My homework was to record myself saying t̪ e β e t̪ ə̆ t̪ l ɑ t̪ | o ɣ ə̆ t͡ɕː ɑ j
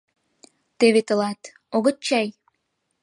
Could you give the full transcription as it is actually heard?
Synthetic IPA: t̪ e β e t̪ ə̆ l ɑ t̪ | o ɣ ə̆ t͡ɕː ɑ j